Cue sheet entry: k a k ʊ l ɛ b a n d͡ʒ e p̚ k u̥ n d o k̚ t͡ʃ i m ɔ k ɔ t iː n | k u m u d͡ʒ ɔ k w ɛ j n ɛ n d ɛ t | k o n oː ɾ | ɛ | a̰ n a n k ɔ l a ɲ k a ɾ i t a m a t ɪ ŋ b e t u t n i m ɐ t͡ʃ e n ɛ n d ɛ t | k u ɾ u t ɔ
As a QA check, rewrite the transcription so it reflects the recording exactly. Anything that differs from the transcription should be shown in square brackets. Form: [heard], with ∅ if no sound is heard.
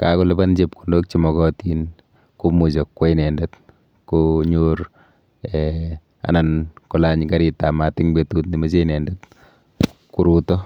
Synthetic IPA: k a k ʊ l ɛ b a n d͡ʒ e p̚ k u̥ n d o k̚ t͡ʃ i m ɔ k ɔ t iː n | k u m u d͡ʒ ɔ k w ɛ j n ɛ n d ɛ t | k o [ɲ] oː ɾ | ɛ | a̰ n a n k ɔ l a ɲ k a ɾ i t a m a t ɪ ŋ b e t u t n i m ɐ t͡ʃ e n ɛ n d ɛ t | k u ɾ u t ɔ